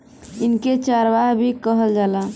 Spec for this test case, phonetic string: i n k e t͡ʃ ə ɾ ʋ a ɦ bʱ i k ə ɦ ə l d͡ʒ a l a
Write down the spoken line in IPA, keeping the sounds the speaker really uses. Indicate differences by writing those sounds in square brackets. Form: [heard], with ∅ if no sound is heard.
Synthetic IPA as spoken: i n k e t͡ʃ [a] ɾ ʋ a ɦ bʱ i k ə ɦ ə l d͡ʒ a l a